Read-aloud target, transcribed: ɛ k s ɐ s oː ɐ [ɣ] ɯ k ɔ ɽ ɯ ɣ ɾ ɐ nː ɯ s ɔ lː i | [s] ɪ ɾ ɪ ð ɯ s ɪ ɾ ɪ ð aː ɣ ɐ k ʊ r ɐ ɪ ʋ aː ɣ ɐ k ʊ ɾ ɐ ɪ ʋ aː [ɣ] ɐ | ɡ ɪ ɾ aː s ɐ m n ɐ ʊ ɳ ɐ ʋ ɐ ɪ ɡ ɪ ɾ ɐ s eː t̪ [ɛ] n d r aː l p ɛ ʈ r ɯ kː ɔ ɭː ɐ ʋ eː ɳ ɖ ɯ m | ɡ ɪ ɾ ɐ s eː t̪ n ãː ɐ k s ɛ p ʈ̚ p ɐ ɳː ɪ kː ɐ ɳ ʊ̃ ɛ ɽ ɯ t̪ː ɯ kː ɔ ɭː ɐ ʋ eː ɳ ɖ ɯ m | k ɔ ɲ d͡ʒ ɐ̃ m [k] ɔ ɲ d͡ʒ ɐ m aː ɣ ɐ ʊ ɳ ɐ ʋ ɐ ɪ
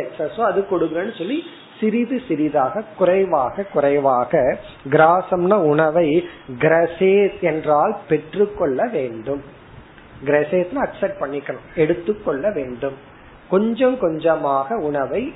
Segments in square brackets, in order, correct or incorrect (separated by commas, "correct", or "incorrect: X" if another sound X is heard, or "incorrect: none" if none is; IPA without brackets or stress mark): incorrect: ð, correct, correct, correct, correct